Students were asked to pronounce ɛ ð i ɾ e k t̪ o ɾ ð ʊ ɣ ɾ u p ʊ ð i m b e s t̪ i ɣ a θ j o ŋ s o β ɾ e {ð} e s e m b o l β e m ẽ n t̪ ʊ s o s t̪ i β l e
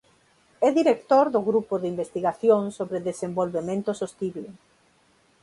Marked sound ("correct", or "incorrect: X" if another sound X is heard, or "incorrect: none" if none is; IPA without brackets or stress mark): correct